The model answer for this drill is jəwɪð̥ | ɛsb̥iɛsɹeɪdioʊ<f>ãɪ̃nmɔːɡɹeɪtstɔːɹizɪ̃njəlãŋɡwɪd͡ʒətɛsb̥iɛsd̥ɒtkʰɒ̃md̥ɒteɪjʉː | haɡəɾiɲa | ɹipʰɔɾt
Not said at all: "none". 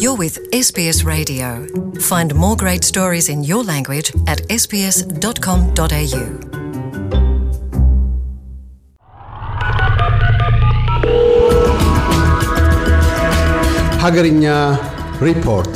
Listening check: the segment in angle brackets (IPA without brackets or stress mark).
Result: f